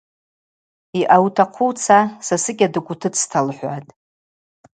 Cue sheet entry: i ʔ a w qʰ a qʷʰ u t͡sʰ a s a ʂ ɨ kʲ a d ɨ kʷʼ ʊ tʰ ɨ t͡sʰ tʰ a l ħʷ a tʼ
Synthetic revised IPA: i ʔ a w tʰ a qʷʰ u t͡sʰ a s a s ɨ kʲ a d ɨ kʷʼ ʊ tʰ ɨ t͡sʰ tʰ a l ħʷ a tʼ